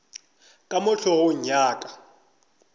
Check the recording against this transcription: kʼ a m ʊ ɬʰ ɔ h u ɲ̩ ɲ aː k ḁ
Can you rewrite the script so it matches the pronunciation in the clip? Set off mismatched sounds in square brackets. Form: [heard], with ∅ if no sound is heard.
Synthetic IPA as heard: kʼ a m ʊ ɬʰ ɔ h [ʊ] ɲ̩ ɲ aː [kʼ] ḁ